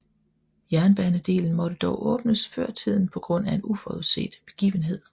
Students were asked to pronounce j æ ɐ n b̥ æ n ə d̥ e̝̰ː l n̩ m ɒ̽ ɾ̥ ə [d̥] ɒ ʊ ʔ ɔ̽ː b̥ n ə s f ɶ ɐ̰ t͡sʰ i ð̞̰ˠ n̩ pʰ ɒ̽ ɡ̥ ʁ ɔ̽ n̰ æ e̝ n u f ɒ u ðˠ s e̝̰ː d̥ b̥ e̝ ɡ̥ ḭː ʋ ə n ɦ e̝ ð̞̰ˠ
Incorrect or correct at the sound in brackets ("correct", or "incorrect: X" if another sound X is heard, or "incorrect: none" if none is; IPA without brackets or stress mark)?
correct